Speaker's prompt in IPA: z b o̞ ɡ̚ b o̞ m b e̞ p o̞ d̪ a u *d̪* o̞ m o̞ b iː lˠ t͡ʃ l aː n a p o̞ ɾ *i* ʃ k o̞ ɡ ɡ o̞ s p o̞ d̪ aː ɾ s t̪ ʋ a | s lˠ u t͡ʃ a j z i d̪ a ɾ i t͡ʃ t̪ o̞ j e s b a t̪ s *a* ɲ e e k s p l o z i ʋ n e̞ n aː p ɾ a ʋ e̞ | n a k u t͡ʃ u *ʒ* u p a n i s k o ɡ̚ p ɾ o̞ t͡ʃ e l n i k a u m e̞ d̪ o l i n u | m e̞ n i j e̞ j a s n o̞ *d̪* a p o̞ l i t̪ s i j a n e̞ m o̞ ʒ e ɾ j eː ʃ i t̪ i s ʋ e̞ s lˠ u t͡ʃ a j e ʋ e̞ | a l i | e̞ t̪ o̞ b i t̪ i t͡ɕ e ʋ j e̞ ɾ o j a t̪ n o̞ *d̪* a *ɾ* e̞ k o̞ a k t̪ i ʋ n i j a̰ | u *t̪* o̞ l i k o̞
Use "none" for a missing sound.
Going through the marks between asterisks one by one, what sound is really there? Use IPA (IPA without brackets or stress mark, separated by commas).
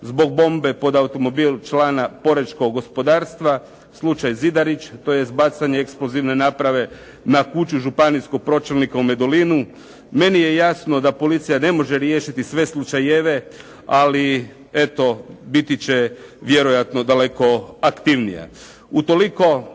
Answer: t̪, e, a, ʒ, d̪, d̪, l, t̪